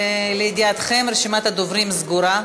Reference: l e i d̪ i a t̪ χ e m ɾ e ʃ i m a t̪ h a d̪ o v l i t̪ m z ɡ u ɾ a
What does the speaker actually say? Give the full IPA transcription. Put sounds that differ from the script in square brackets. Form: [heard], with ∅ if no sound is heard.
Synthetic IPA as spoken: l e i d̪ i a t̪ χ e m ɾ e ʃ i m a t̪ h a d̪ o v [ɾ] i [∅] m z ɡ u ɾ a